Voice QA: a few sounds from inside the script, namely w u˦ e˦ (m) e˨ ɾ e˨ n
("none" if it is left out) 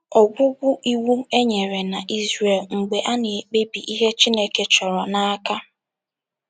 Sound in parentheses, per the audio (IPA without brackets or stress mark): ɲ